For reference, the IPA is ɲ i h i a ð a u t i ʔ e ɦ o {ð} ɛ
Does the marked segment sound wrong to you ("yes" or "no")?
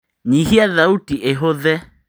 no